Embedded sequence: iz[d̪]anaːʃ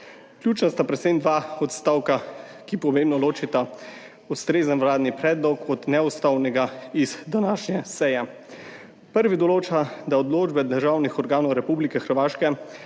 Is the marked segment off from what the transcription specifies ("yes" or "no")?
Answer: no